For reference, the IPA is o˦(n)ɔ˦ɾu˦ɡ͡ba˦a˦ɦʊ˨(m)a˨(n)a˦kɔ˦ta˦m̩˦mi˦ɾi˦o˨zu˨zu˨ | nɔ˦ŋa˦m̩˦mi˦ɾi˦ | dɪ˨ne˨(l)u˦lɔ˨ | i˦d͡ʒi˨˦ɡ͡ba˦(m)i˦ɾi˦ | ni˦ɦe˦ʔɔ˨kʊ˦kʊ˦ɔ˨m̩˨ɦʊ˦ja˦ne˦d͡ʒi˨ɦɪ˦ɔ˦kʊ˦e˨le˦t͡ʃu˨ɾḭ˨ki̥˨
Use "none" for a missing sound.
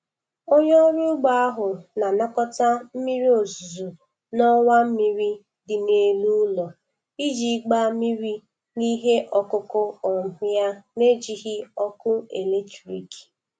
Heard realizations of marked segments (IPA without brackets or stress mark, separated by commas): ɲ, n, n, l, m